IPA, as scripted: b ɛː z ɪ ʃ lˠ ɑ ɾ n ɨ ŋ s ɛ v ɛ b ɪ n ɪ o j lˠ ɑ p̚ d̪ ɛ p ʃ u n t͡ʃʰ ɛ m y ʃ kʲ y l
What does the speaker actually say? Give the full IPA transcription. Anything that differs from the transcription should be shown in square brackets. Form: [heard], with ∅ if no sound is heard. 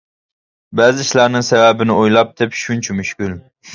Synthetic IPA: b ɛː z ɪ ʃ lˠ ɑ ɾ n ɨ ŋ s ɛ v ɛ b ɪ n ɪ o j lˠ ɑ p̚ d̪ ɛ p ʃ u n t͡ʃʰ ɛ m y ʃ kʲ y l